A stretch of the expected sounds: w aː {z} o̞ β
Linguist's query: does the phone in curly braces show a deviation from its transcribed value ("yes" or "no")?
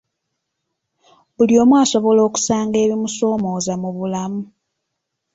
yes